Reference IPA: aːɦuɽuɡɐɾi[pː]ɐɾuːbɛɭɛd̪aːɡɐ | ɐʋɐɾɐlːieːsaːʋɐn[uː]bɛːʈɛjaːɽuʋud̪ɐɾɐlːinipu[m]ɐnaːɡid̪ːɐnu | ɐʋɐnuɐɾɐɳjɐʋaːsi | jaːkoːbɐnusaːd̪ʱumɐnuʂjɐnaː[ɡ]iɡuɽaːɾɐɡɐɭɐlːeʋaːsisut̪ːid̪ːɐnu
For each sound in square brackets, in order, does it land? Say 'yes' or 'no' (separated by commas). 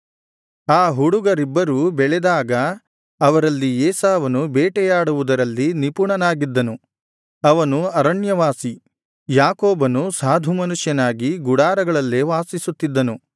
no, no, no, yes